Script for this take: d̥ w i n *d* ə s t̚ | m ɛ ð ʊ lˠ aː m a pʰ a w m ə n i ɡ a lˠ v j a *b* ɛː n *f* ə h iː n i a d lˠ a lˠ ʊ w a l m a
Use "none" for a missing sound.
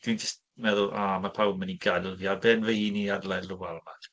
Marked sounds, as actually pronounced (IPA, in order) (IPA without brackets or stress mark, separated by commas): d͡ʒ, b, v